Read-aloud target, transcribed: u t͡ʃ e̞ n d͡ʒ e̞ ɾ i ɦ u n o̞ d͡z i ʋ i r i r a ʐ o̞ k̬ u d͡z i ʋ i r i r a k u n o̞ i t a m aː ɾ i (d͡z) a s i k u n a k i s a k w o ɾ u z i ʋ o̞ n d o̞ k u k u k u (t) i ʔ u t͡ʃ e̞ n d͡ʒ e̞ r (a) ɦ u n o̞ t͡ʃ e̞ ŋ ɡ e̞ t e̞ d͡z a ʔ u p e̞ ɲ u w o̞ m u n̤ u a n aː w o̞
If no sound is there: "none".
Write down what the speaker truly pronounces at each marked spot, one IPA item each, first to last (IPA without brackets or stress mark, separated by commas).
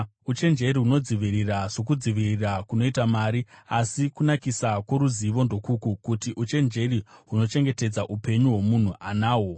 none, t, i